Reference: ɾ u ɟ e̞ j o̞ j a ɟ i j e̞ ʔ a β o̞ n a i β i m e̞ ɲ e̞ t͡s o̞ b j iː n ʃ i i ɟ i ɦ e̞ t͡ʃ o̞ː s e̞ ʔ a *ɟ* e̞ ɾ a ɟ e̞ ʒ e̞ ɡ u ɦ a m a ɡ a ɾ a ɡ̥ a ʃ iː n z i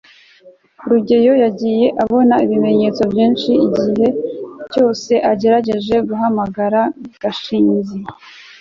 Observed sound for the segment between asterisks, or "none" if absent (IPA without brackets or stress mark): ɟ